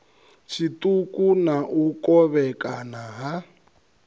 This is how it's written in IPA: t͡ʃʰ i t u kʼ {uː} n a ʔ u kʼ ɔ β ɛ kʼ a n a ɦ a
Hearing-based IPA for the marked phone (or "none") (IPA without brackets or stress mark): u